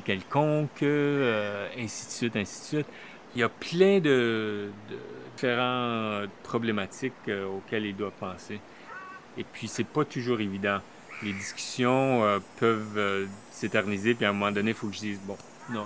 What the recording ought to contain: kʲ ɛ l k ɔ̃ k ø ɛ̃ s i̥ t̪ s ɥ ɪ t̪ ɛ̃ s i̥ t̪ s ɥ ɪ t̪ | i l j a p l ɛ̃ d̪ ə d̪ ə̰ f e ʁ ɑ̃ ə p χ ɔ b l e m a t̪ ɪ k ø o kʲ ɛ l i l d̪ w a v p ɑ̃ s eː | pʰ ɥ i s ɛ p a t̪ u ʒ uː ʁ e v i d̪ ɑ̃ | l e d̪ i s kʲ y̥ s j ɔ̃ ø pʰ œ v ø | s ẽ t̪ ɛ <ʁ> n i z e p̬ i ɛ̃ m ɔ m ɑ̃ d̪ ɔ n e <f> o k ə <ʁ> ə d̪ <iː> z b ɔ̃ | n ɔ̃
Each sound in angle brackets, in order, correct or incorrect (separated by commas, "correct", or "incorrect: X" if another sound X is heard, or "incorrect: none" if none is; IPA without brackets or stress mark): correct, correct, incorrect: ʒ, correct